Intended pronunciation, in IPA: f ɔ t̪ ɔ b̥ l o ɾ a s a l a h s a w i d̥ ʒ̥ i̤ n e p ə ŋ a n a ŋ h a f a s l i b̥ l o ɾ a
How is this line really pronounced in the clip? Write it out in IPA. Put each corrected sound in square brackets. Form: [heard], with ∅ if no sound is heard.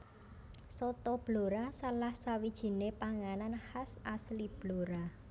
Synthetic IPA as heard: [s] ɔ t̪ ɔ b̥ l o ɾ a s a l a h s a w i d̥ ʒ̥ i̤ n e p [a] ŋ a n a [n] h a [s] a s l i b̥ l o ɾ a